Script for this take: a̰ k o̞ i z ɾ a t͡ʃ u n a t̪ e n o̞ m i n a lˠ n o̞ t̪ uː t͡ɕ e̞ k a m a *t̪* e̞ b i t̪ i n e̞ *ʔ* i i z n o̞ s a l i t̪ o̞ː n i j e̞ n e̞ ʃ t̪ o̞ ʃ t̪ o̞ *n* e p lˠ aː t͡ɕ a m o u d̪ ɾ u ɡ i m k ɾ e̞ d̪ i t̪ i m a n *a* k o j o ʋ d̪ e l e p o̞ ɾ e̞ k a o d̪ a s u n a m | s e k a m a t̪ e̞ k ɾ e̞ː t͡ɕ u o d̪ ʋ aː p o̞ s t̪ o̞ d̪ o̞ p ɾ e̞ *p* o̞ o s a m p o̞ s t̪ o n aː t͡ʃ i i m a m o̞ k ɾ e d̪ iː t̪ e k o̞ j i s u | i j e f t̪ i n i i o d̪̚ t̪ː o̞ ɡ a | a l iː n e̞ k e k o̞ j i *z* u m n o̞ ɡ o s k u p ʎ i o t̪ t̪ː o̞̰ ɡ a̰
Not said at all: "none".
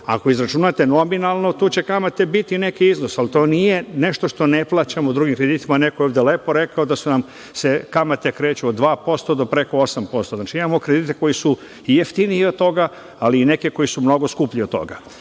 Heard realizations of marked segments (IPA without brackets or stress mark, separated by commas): t̪, k, n, e, k, s